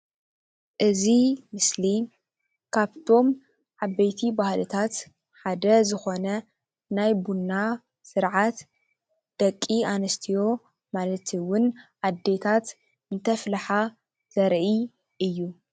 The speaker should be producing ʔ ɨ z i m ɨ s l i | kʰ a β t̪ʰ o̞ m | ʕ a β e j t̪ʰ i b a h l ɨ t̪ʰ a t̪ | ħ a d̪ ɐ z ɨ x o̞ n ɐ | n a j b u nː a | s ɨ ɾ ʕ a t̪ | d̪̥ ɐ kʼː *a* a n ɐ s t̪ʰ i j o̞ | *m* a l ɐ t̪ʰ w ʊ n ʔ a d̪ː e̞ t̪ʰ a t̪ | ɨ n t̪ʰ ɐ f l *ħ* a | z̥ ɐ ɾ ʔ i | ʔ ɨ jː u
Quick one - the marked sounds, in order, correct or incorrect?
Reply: incorrect, correct, correct

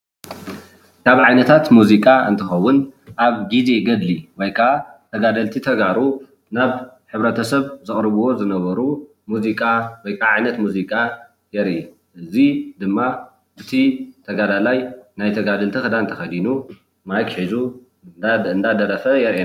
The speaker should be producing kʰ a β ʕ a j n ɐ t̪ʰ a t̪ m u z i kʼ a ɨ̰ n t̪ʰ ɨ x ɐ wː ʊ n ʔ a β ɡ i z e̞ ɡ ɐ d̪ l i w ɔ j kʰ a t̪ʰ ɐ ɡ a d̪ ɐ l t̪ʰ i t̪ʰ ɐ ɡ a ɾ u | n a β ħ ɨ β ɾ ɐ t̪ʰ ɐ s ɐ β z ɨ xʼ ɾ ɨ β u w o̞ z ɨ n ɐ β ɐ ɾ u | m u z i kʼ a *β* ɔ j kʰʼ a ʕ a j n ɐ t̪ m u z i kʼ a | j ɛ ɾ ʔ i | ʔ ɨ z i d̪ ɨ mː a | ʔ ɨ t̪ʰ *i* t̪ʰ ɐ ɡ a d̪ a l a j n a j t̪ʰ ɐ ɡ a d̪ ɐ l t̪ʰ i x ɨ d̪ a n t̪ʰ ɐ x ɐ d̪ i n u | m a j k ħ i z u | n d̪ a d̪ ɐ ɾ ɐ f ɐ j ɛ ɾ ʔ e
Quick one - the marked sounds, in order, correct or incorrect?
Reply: incorrect, correct

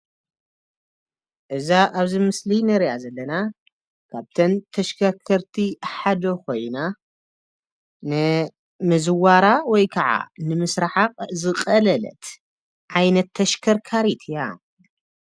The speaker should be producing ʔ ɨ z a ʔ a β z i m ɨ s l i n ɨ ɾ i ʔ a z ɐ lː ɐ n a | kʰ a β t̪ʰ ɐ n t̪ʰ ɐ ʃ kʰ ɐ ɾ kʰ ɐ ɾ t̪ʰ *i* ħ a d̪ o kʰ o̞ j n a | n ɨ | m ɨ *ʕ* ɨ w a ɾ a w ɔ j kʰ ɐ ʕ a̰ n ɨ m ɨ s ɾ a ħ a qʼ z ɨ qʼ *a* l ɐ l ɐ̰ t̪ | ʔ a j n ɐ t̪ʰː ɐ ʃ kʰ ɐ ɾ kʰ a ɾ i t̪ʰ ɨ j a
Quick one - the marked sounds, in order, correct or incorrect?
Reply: correct, incorrect, incorrect

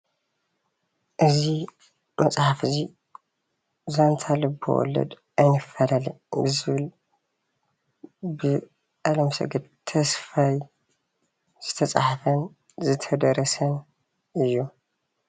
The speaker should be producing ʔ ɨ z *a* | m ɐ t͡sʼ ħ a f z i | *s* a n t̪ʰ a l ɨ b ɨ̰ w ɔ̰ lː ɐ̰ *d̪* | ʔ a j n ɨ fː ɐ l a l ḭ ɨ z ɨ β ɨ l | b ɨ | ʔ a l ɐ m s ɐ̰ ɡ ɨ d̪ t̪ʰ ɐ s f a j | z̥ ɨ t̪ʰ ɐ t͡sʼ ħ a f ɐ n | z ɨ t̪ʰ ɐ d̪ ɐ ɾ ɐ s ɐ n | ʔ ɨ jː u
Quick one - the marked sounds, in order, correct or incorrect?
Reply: incorrect, incorrect, correct

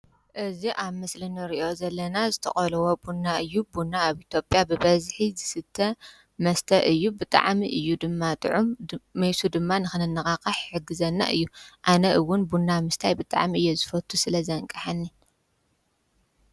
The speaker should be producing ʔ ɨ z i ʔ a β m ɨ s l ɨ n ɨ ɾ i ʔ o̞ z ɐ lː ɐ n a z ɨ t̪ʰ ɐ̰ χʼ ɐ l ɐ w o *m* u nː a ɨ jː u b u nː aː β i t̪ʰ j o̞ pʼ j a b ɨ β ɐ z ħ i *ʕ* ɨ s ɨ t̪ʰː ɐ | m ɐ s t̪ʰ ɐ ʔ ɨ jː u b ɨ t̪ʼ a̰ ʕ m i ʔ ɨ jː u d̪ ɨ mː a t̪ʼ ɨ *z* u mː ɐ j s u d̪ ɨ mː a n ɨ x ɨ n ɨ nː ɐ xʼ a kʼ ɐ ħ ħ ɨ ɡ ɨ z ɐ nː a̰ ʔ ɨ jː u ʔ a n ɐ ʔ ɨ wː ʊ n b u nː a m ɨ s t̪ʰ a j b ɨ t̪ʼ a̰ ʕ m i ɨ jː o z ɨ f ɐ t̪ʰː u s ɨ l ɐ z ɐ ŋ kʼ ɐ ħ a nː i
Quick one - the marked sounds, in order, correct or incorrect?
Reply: incorrect, incorrect, incorrect

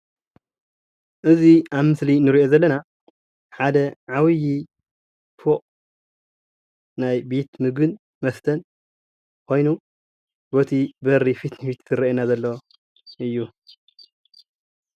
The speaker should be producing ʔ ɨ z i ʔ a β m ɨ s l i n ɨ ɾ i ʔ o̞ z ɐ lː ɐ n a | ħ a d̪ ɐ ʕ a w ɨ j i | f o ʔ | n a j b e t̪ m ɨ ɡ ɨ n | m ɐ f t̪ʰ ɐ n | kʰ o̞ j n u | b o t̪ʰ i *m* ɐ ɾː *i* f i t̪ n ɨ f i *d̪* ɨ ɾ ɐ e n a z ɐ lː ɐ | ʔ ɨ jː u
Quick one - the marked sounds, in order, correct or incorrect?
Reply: incorrect, correct, incorrect

